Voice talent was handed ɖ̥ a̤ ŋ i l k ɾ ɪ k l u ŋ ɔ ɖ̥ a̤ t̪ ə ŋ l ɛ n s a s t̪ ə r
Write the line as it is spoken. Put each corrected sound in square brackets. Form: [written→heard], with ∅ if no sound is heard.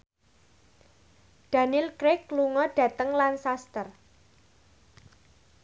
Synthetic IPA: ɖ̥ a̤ [ŋ→n] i l k ɾ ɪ k l u ŋ ɔ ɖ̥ a̤ t̪ ə ŋ l [ɛ→a] n s a s t̪ ə r